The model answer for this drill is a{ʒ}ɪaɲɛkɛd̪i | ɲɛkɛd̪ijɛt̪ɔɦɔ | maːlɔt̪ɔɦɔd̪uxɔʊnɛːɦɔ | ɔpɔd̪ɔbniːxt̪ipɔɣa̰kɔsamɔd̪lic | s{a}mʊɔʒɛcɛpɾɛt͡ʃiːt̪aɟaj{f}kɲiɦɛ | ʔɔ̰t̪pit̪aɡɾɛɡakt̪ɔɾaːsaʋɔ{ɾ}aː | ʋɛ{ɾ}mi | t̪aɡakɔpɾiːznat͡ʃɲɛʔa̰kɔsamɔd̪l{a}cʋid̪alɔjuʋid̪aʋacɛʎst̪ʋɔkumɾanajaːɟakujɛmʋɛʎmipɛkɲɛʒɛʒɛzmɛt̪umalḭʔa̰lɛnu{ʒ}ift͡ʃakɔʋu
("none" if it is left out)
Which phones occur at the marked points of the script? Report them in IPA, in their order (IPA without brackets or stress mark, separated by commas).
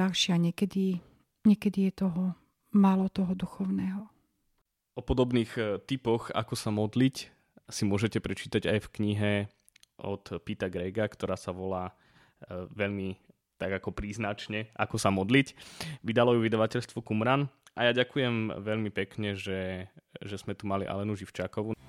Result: ʃ, i, f, l, ʎ, i, ʒ